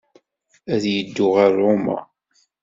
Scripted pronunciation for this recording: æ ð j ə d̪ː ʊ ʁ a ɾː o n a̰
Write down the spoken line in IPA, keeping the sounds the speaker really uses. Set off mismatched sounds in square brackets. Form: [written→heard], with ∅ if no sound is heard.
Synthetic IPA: æ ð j ə d̪ː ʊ ʁ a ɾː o [n→m] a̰